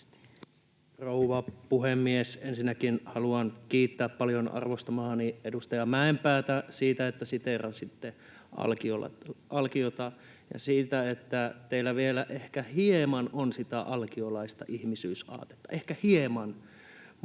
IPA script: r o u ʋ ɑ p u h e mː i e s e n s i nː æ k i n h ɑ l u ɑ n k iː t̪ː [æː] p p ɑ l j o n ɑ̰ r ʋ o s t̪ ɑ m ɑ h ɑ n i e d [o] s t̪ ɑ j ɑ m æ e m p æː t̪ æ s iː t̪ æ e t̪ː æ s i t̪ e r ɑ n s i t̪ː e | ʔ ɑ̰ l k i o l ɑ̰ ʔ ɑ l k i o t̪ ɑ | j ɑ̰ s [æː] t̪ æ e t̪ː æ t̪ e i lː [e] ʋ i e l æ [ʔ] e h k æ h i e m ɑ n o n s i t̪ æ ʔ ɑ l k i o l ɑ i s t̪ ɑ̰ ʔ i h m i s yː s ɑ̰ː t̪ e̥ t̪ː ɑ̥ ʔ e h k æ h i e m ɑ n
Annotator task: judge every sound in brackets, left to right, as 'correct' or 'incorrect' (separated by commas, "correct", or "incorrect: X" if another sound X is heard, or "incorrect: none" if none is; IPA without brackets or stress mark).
correct, incorrect: u, incorrect: iː, incorrect: æ, correct